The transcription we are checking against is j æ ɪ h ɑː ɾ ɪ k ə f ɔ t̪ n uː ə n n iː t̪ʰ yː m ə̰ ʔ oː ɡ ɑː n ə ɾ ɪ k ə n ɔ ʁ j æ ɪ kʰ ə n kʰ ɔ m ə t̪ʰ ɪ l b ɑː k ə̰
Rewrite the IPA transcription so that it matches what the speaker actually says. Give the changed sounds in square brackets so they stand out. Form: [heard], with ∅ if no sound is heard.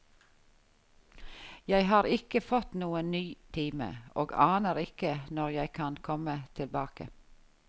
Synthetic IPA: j æ ɪ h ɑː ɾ ɪ k ə f ɔ t̪ n uː ə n n [yː] t̪ʰ [iː] m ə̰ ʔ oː ɡ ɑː n ə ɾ ɪ k ə n ɔ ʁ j æ ɪ kʰ [ɑ] n kʰ ɔ m ə t̪ʰ ɪ l b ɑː k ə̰